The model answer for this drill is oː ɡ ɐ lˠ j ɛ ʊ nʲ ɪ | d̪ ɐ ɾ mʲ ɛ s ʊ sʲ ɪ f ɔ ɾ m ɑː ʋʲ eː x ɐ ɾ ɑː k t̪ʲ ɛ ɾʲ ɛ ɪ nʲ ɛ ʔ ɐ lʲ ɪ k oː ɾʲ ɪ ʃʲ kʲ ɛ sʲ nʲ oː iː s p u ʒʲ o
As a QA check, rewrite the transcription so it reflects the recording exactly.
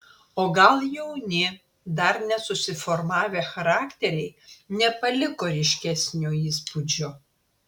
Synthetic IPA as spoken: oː ɡ ɐ lˠ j ɛ ʊ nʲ ɪ | d̪ ɐ ɾ nʲ ɛ s ʊ sʲ ɪ f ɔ ɾ m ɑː ʋʲ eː x ɐ ɾ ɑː k t̪ʲ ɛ ɾʲ ɛ ɪ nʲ ɛ p ɐ lʲ ɪ k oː ɾʲ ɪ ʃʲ kʲ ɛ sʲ nʲ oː iː s p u d͡ʒʲ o